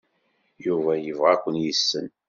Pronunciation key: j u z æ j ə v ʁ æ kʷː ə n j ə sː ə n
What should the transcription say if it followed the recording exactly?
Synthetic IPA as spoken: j u v æ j ə v ʁ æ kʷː ə n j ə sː ə n